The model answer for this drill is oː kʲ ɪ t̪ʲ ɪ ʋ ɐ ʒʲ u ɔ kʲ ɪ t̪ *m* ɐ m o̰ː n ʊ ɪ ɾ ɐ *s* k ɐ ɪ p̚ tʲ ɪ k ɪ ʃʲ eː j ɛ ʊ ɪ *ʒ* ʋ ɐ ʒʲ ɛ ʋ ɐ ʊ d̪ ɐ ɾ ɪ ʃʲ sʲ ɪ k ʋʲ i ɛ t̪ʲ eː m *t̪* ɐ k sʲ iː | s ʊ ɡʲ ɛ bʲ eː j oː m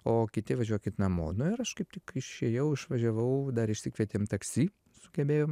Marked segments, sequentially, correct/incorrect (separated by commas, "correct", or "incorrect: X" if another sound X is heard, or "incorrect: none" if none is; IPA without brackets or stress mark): incorrect: n, incorrect: ʃ, incorrect: ʃ, correct